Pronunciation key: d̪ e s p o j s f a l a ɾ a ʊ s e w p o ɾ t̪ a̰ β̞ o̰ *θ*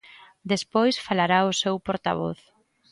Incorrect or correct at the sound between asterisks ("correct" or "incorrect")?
correct